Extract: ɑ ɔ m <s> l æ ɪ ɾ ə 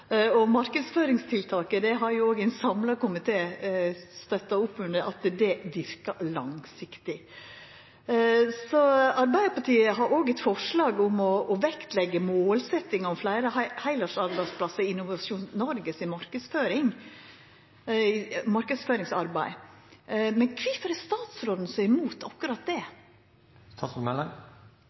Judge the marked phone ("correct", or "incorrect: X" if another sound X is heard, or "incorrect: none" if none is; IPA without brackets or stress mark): incorrect: f